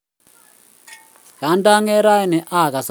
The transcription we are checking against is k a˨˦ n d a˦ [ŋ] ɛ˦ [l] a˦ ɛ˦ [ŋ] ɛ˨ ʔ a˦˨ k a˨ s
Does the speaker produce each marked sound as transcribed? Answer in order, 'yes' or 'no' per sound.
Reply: yes, no, no

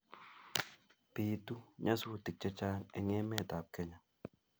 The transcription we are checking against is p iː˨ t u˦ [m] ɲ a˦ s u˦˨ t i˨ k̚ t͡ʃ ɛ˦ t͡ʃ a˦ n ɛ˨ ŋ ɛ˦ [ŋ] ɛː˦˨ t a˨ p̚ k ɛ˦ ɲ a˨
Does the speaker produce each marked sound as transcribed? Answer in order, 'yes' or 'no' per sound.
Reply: no, no

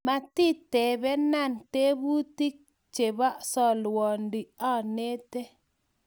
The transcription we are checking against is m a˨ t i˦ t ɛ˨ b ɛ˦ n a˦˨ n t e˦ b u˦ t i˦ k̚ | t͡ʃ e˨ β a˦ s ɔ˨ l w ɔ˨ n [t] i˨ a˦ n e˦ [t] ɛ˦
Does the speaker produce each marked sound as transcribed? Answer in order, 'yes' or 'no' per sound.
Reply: no, yes

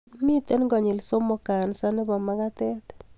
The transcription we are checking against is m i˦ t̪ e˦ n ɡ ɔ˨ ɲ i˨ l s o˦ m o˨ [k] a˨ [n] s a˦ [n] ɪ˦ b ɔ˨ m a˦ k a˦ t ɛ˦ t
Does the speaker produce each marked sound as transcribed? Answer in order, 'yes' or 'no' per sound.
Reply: yes, yes, yes

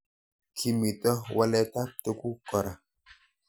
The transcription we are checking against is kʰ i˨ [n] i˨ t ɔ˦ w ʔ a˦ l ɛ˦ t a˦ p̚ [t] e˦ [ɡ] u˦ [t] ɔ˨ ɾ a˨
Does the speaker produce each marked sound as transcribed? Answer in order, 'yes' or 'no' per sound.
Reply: no, yes, no, no

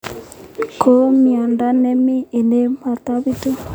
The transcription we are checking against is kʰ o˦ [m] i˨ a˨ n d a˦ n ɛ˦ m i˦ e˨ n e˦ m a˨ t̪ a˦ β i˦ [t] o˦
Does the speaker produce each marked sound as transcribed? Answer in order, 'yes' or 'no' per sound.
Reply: yes, yes

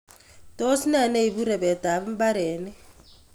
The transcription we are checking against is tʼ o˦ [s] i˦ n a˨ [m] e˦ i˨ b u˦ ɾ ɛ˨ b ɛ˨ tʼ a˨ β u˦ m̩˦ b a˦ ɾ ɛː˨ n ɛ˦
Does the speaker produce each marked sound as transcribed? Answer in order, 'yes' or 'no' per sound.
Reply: yes, no

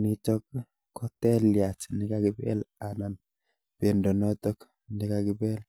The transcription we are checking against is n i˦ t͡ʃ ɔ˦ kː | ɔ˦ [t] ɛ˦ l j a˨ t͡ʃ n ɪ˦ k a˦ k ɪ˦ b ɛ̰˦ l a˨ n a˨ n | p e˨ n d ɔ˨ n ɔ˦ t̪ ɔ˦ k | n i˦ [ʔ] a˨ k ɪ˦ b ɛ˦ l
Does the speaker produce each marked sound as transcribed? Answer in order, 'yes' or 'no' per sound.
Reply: yes, no

